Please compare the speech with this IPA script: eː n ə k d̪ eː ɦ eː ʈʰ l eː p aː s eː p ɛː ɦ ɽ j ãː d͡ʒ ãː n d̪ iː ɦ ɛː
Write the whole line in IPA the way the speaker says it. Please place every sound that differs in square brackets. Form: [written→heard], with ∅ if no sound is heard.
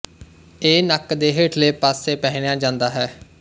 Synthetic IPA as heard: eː n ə k d̪ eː ɦ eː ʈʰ l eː p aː s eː p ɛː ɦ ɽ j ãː d͡ʒ ãː n d̪ [iː→aː] ɦ ɛː